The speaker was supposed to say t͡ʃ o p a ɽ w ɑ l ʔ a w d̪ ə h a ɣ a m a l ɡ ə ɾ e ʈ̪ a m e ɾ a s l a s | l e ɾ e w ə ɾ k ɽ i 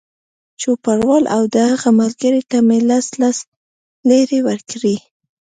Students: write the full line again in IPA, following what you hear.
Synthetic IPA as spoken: t͡ʃ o p a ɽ w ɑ l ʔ a w d̪ ə h a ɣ a m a l ɡ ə ɾ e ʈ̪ a m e l a s l a s | l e ɾ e w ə ɾ k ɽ i